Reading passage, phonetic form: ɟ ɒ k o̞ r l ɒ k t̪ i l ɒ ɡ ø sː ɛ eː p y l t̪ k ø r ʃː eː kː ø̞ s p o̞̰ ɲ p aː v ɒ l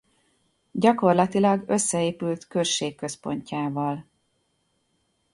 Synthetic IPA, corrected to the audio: ɟ ɒ k o̞ r l ɒ t̪ i l ɒ ɡ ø sː ɛ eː p y l t̪ k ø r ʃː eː kː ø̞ s p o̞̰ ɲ c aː v ɒ l